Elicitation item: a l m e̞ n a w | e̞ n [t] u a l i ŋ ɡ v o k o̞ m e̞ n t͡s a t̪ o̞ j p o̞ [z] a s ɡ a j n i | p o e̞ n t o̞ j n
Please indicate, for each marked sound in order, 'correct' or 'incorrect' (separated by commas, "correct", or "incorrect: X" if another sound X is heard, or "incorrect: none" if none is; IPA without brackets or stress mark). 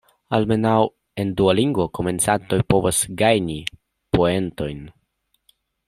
incorrect: d, incorrect: v